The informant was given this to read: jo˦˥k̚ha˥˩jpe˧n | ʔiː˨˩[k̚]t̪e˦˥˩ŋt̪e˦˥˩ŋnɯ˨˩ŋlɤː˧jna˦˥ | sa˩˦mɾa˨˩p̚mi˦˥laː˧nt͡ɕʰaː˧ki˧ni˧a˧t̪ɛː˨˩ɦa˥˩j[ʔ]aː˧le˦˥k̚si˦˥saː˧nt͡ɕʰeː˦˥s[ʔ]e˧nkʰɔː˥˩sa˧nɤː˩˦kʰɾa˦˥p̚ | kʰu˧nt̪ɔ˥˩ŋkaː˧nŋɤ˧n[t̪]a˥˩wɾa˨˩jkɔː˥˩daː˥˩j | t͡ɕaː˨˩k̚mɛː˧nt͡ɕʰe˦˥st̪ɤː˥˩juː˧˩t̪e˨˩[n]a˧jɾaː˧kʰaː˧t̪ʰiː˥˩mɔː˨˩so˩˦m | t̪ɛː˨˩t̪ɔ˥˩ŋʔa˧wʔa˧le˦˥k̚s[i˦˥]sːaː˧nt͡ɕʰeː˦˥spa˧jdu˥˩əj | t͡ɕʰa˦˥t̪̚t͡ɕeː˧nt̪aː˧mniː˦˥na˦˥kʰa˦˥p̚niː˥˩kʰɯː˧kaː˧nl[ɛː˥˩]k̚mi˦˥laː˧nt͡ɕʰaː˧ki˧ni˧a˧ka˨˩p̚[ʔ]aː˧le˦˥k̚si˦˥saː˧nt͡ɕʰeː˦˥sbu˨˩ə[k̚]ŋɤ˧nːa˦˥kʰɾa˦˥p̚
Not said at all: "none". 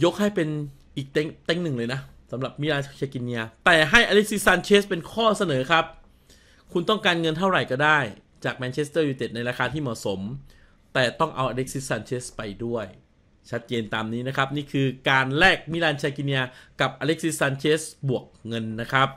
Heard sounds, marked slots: k̚, ʔ, p, t̪ʰ, n, i˦˥, ɛː˥˩, ʔ, k̚

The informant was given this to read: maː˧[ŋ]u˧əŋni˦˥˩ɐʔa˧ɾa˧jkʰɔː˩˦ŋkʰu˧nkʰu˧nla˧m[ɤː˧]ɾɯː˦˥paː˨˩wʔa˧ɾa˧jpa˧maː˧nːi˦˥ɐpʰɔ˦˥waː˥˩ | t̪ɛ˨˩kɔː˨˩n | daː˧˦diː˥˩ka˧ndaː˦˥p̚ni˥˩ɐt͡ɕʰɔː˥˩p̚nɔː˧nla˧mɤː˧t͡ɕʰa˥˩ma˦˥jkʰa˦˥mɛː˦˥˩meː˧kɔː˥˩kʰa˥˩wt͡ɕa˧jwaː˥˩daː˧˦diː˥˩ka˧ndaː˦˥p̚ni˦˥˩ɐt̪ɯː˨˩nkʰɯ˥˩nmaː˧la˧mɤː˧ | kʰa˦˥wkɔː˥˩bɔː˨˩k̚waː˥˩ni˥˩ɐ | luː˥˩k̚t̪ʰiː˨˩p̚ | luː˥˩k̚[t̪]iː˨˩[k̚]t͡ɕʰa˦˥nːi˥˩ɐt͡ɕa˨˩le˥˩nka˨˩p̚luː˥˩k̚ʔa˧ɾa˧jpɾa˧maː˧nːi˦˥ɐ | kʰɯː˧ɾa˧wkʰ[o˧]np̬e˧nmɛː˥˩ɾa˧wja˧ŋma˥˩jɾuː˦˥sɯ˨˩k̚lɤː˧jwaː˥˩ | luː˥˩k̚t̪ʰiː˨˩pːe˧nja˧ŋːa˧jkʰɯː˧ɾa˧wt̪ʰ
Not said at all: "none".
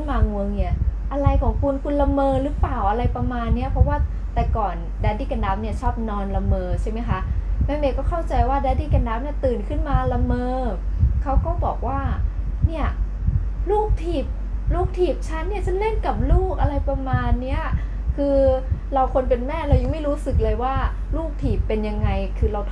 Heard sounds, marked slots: ŋ, ɤː˧, t̪ʰ, p̚, o˧

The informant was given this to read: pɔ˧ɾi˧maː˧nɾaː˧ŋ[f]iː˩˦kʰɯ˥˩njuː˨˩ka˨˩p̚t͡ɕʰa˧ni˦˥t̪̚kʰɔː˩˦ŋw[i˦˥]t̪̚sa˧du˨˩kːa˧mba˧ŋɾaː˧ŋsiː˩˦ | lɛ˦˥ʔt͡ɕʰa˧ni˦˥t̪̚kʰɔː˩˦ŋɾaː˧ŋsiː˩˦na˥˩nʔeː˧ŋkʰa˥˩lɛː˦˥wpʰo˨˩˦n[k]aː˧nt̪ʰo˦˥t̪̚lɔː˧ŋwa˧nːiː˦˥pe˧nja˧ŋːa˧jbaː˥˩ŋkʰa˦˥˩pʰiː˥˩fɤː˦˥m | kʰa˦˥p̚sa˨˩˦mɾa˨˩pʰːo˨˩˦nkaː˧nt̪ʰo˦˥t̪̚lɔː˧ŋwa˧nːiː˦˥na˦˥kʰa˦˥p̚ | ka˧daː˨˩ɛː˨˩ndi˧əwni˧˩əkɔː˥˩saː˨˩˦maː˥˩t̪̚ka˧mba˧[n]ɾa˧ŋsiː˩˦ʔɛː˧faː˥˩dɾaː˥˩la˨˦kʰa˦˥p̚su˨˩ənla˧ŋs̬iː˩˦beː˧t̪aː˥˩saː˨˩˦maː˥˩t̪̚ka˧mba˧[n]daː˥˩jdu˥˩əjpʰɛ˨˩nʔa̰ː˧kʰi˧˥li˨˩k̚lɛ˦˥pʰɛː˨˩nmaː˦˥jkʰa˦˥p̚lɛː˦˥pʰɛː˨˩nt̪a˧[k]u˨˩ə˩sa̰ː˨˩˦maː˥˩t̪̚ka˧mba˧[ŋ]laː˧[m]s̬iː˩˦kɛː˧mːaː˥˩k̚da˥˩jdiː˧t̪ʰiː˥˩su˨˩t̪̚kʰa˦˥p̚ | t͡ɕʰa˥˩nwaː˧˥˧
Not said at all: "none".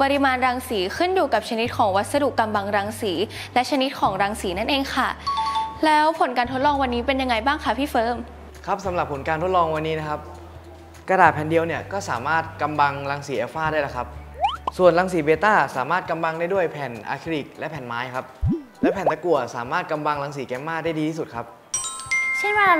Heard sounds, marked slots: s, a˦˥, k, ŋ, ŋ, k, ŋ, ŋ

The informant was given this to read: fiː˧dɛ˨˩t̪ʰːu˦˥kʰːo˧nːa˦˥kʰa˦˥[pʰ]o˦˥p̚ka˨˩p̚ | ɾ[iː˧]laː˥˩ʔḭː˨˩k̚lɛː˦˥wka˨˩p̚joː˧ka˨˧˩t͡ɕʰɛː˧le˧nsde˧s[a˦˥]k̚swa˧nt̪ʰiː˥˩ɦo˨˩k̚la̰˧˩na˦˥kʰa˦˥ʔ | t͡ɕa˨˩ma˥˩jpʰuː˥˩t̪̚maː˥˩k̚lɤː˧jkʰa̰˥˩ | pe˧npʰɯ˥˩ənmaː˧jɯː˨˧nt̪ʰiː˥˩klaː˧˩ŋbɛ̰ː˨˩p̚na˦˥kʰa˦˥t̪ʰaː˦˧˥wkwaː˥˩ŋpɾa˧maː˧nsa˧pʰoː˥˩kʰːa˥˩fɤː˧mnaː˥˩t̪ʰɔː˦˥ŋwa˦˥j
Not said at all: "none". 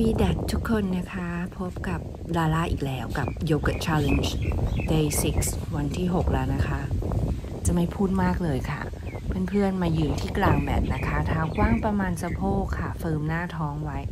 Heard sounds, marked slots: pʰ, aː˧, i˦˥

